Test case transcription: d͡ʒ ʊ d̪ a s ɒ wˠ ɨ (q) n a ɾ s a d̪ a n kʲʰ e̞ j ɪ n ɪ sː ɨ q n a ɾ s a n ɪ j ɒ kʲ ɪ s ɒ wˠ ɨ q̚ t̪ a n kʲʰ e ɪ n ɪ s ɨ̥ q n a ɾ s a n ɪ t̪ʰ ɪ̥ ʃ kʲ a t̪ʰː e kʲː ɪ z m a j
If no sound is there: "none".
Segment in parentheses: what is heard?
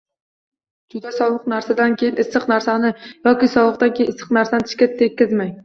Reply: q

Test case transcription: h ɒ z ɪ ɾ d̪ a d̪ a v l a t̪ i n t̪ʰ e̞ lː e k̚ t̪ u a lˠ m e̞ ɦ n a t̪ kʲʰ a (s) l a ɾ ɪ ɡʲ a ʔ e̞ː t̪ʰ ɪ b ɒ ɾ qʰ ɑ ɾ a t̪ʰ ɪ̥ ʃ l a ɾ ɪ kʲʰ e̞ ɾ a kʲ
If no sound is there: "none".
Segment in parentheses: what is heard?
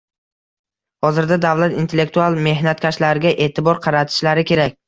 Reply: ʃ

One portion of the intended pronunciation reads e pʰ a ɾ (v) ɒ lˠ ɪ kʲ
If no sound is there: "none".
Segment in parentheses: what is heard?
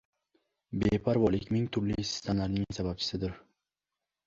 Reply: v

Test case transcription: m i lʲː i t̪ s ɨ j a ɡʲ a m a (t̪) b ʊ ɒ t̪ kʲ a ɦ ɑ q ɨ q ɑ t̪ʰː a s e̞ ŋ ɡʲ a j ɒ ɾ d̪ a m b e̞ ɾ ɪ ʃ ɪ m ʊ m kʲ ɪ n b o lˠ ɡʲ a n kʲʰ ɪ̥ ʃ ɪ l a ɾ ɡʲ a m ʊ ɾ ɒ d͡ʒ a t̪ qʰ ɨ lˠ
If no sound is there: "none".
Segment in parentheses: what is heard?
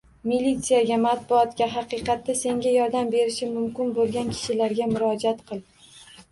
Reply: t̪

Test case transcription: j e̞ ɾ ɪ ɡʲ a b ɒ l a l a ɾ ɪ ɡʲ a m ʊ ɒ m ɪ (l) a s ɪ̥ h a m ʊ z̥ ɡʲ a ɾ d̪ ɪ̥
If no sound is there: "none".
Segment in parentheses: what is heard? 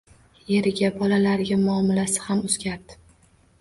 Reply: l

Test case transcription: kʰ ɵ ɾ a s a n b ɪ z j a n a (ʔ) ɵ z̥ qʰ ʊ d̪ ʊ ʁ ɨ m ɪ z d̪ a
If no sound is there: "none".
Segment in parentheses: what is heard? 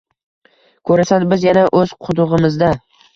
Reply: ʔ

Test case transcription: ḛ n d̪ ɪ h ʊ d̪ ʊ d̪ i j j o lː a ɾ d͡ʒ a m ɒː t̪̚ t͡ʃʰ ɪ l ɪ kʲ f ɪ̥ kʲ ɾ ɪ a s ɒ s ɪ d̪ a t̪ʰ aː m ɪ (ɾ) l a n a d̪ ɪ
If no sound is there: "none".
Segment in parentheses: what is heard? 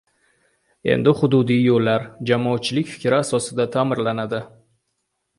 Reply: ɾ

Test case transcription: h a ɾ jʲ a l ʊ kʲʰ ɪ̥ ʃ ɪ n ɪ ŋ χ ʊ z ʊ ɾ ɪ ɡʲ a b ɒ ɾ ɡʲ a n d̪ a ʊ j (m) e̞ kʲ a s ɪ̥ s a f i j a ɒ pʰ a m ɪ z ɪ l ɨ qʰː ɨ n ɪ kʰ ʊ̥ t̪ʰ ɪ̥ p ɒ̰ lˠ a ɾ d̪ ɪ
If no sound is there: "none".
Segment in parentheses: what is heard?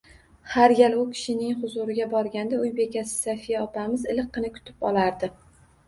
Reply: b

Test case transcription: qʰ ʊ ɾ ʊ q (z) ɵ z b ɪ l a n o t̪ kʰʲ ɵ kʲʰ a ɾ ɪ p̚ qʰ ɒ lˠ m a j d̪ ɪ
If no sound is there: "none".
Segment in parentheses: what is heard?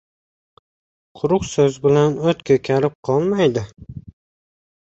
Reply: s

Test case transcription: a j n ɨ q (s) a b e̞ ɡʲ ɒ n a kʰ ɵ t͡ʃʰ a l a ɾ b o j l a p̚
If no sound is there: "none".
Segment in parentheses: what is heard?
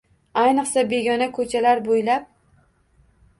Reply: s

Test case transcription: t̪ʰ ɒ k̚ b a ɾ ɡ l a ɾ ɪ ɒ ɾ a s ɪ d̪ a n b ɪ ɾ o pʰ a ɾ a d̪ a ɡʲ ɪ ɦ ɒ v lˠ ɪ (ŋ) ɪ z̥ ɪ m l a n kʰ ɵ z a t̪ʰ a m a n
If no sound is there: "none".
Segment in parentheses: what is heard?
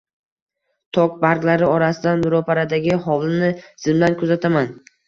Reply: n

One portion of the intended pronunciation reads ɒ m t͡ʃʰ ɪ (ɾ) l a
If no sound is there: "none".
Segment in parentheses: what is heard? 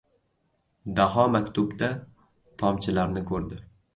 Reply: none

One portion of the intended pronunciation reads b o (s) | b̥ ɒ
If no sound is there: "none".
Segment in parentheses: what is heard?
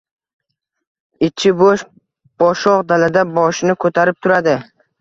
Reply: ʃ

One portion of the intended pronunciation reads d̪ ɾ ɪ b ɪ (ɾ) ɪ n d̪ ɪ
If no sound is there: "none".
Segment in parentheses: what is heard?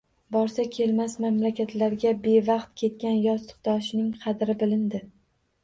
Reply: l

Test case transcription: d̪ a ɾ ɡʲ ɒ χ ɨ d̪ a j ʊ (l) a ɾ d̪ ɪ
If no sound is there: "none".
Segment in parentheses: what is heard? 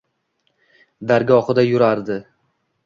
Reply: ɾ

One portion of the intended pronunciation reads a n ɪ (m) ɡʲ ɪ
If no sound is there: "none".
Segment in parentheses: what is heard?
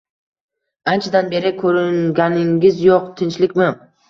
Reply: ŋ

